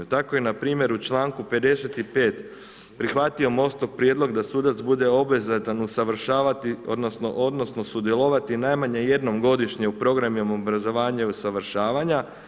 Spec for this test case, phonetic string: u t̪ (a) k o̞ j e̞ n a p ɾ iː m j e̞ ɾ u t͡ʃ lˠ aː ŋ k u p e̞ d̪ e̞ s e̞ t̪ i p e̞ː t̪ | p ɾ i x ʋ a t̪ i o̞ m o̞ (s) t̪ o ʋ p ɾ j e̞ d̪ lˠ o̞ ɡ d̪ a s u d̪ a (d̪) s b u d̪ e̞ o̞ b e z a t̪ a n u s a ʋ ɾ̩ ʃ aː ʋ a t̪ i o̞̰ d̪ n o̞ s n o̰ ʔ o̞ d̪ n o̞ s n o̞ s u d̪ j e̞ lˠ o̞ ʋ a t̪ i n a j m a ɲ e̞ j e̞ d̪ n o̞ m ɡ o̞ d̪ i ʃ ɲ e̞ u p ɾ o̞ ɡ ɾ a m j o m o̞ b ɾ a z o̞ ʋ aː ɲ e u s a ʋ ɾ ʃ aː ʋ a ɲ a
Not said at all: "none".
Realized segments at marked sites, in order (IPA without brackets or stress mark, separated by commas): a, s, t̪